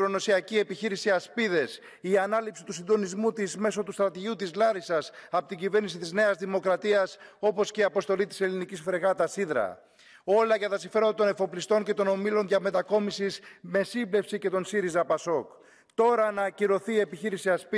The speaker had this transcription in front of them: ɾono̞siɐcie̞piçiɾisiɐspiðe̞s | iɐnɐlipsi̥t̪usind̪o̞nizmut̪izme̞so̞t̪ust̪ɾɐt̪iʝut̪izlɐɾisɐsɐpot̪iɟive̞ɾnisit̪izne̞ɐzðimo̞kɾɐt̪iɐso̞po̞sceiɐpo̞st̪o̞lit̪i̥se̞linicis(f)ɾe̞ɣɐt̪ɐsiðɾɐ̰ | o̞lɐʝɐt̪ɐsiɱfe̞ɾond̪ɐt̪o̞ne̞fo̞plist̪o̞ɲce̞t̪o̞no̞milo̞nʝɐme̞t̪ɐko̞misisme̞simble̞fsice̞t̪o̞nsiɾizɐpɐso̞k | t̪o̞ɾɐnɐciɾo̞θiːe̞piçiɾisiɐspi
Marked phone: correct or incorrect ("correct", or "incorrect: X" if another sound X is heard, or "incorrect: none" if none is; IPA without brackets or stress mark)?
correct